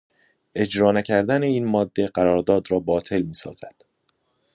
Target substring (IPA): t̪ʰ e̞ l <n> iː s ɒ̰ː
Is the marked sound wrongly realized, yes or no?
yes